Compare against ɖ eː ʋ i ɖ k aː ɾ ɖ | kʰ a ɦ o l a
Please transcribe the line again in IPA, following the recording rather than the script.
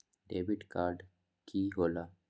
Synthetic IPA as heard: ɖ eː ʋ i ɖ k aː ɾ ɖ | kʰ i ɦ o l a